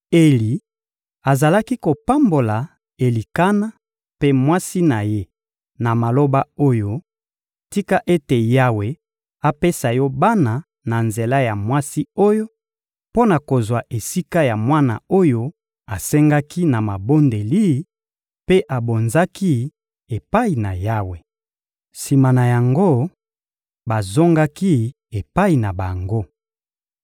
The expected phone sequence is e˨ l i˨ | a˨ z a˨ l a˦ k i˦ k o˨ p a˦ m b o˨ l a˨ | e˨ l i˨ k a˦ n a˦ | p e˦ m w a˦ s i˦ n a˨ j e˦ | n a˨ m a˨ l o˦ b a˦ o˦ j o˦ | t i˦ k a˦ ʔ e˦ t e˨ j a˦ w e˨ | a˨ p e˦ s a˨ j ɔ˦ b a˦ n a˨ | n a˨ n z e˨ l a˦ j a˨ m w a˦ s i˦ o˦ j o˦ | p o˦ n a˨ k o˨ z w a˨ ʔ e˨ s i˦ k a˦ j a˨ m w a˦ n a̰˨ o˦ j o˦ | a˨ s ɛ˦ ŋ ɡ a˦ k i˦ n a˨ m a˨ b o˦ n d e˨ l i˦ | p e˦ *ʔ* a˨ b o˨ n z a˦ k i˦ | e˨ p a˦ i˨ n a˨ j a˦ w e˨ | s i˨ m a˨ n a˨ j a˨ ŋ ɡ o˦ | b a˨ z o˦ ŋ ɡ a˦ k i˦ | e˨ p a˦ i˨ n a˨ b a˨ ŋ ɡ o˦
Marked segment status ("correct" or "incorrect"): correct